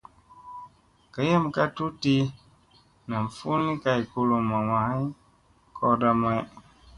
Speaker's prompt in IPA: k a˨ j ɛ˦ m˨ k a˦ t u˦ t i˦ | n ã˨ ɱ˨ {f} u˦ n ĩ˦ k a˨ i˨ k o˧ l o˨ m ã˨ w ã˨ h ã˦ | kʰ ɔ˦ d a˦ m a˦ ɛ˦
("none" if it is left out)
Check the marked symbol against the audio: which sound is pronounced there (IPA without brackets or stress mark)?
f